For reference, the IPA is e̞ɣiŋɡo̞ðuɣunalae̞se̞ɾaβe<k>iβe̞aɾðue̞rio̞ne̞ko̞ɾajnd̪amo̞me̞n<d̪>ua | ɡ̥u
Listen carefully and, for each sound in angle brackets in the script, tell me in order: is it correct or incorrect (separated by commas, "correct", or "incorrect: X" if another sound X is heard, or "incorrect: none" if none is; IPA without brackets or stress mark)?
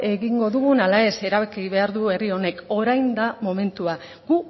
correct, incorrect: t̪